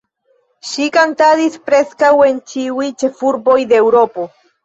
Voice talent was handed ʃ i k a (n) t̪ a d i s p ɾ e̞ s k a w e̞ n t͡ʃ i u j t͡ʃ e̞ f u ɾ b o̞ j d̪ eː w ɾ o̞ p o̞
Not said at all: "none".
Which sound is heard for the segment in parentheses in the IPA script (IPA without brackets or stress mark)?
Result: n